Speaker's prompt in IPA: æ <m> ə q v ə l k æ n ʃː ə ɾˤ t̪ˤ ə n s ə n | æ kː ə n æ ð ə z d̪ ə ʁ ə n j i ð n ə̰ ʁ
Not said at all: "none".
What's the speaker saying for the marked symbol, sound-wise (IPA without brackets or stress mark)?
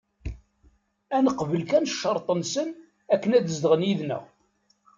n